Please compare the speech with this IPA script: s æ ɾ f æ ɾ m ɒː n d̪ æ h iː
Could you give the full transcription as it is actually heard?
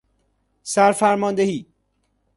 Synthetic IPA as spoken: s æ ɾ f æ ɾ m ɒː n d̪ e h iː